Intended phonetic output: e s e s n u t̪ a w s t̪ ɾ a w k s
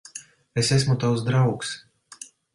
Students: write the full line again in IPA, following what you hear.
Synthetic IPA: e s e s m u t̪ a w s d̪ ɾ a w k s